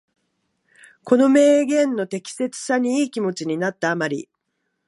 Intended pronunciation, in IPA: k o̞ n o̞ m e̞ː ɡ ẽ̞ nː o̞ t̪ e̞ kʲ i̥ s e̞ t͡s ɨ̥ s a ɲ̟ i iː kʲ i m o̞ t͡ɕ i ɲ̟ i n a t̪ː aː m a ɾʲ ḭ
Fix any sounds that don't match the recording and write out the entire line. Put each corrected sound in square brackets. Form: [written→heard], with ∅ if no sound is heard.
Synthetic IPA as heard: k o̞ n o̞ m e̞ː ɡ ẽ̞ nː o̞ t̪ e̞ kʲ i̥ s e̞ t͡s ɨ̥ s a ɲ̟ i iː kʲ i m o̞ t͡ɕ i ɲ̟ i n a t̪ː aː m a ɾʲ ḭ

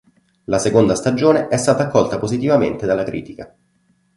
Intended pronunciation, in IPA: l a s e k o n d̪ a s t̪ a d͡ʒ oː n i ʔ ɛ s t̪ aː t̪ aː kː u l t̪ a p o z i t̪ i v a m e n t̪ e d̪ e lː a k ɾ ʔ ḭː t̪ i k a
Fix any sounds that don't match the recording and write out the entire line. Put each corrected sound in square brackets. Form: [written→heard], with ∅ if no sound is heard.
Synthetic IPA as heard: l a s e k o n d̪ a s t̪ a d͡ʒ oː n [i→e] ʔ ɛ s t̪ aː t̪ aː kː [u→ɔ] l t̪ a p o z i t̪ i v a m e n t̪ e d̪ [e→a] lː a k ɾ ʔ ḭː t̪ i k a

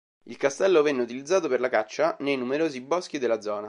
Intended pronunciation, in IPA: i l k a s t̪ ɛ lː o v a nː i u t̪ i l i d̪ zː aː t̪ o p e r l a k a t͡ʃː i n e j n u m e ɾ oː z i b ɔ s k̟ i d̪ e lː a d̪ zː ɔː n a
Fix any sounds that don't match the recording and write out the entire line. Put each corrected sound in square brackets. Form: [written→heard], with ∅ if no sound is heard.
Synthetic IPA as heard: i l k a s t̪ ɛ lː o v [a→ɛ] nː [i→e] u t̪ i l i d̪ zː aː t̪ o p e r l a k a t͡ʃː [i→a] n e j n u m e ɾ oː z i b ɔ s k̟ i d̪ e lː a d̪ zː ɔː n a

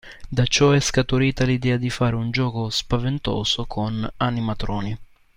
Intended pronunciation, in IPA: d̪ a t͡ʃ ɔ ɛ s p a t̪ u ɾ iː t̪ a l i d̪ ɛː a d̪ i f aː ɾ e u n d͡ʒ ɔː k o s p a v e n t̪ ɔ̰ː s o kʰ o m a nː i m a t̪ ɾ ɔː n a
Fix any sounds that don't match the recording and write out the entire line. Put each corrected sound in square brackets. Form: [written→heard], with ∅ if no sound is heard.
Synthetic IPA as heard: d̪ a t͡ʃ ɔ ɛ s [p→k] a t̪ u ɾ iː t̪ a l i d̪ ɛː a d̪ i f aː ɾ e u n d͡ʒ ɔː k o s p a v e n t̪ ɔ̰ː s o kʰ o [m→n] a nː i m a t̪ ɾ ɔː n [a→i]

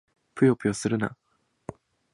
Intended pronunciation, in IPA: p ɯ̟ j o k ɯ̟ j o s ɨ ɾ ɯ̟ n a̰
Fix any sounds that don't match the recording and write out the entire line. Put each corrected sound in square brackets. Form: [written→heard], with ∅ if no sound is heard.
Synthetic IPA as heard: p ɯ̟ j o [k→p] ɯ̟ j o s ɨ ɾ ɯ̟ n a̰

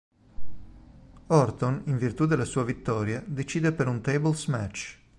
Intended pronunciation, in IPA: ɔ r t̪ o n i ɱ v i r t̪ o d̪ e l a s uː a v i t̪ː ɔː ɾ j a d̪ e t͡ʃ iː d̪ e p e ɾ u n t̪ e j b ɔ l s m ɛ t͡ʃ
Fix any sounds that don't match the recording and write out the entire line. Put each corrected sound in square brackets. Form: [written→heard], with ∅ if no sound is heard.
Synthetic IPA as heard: ɔ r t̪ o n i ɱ v i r t̪ [o→u] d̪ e l a s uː a v i t̪ː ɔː ɾ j a d̪ e t͡ʃ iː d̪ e p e ɾ u n t̪ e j b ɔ l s m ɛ t͡ʃ

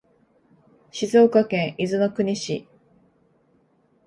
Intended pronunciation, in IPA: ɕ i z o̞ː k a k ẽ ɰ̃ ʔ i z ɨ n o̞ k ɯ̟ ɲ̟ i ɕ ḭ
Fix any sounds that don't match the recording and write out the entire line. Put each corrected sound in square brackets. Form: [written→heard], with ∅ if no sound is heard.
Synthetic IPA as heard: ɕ i z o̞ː k a k ẽ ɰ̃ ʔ i z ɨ n o̞ k ɯ̟ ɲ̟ i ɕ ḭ

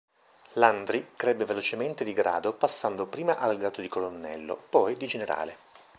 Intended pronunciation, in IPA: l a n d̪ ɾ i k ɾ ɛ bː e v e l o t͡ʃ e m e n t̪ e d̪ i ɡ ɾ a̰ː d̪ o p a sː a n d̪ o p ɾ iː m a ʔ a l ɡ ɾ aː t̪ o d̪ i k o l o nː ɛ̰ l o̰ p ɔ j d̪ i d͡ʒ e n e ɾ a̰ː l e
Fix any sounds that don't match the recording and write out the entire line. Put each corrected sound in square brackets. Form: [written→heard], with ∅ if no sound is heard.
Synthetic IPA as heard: l a n d̪ ɾ i k ɾ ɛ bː e v e l o t͡ʃ e m e n t̪ e d̪ i ɡ ɾ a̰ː d̪ o p a sː a n d̪ o p ɾ iː m a ʔ a l ɡ ɾ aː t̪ o d̪ i k o l o nː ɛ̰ [l→lː] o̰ p ɔ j d̪ i d͡ʒ e n e ɾ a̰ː l e

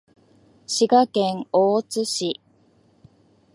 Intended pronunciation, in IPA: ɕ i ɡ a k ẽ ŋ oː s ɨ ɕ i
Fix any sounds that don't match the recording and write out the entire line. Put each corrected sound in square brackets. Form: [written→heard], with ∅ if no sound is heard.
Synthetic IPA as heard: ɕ i ɡ a k ẽ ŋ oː [s→t͡s] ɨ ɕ i

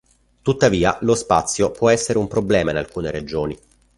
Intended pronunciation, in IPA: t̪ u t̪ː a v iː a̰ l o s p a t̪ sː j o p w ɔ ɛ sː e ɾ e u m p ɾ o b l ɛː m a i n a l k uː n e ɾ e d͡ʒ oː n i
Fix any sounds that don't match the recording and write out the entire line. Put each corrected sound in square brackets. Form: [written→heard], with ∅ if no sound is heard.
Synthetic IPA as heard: t̪ u t̪ː a v iː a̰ l o s p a t̪ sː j o p w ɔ ɛ sː e ɾ e u m p ɾ o b l ɛː m a i n a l k uː n e ɾ e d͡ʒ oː n i

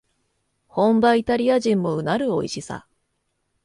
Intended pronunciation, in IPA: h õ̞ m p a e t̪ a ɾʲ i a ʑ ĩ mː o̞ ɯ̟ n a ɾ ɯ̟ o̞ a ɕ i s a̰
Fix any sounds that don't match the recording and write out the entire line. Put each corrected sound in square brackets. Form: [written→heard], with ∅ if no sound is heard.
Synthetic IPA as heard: h õ̞ m [p→b] a [e→i] t̪ a ɾʲ i a ʑ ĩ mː o̞ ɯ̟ n a ɾ ɯ̟ o̞ [a→i] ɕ i s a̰

